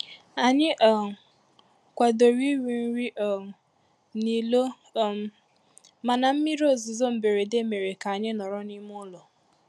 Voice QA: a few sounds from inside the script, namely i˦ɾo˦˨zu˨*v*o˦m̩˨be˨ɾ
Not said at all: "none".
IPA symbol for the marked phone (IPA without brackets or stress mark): z